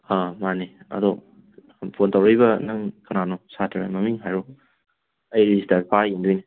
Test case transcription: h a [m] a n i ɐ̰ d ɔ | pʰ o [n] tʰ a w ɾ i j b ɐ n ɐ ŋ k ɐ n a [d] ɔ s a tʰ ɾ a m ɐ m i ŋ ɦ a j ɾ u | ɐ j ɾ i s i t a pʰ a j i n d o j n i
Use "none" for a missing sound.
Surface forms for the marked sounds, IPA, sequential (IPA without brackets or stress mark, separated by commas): m, n, n